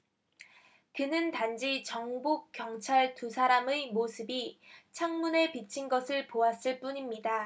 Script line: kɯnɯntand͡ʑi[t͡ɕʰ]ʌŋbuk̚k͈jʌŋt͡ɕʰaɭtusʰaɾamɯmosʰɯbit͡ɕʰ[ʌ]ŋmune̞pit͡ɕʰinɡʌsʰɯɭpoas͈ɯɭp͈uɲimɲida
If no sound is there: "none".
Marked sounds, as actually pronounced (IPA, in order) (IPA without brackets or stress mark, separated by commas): t͡ɕ, a